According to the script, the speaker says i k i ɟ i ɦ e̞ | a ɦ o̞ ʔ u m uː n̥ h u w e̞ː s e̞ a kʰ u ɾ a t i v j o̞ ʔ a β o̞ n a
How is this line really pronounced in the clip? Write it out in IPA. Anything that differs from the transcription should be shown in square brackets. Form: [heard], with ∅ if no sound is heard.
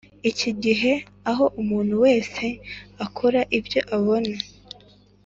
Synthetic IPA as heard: i [c] i ɟ i ɦ e̞ | a ɦ o̞ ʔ u m uː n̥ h u w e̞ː s e̞ a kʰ [o] ɾ a [ʔ] i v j o̞ ʔ a β o̞ n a